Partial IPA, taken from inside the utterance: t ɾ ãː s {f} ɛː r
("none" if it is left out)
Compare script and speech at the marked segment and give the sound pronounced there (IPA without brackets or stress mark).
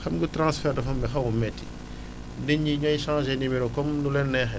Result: f